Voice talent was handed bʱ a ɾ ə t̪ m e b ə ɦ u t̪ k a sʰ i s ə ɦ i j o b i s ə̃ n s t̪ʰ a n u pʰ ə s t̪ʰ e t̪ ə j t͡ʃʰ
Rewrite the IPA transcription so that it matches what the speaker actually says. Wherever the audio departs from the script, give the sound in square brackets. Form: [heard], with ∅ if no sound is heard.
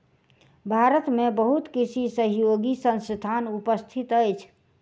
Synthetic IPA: bʱ a ɾ ə t̪ m e b ə ɦ u t̪ k [i] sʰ i s ə ɦ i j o [ɡ] i s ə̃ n s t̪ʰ a n u [p] ə s t̪ʰ [i] t̪ ə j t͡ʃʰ